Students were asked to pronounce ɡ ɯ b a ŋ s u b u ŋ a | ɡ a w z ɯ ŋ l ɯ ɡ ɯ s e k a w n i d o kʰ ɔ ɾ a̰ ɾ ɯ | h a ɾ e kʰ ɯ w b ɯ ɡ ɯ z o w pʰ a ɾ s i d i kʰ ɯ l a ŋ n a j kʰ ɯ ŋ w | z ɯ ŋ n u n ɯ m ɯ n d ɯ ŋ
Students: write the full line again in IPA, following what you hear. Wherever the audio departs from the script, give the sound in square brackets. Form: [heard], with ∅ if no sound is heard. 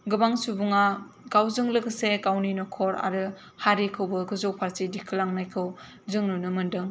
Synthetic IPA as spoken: ɡ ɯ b a ŋ s u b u ŋ a | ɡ a w z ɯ ŋ l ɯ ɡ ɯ s e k a w n i [n] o kʰ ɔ ɾ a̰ ɾ ɯ | h a ɾ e kʰ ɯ w b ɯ ɡ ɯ z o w pʰ a ɾ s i d i kʰ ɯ l a ŋ n a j kʰ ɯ [∅] w | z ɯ ŋ n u n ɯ m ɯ n d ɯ ŋ